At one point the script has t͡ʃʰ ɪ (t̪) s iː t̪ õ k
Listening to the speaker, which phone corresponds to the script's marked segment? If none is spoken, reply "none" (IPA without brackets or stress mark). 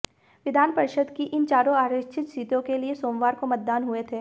t̪